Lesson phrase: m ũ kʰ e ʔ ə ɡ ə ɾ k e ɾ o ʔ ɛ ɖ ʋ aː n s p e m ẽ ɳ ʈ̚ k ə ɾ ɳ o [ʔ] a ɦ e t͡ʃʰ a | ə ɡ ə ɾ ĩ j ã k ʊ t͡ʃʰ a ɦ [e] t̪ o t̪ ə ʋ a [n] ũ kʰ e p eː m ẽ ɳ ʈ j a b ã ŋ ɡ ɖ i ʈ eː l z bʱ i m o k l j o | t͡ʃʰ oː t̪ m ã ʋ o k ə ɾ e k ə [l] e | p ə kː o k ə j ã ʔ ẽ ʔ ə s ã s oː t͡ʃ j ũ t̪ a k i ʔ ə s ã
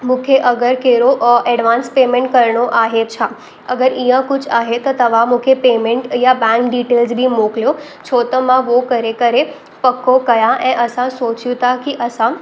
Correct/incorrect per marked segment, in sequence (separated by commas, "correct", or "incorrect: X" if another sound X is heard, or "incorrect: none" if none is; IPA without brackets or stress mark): correct, correct, incorrect: m, incorrect: ɾ